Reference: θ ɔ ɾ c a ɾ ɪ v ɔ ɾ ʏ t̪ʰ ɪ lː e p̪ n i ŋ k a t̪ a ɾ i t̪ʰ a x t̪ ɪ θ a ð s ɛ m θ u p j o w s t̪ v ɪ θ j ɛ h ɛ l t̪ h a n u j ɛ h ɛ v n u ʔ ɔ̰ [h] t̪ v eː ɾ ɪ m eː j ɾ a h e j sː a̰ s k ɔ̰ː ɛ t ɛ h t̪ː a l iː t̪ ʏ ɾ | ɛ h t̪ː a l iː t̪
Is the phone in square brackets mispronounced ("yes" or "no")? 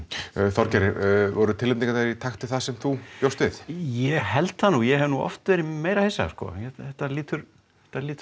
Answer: yes